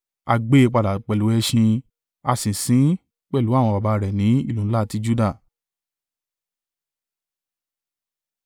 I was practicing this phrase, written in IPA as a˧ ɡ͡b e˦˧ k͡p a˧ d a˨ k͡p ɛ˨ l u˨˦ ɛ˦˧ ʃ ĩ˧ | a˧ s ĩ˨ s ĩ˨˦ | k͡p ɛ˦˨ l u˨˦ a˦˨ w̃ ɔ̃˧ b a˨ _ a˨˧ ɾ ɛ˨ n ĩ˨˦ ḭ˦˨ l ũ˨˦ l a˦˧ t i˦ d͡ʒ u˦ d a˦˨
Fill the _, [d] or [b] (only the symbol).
b